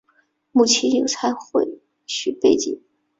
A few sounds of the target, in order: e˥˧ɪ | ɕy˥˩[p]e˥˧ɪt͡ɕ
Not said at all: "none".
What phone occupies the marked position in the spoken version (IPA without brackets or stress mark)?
p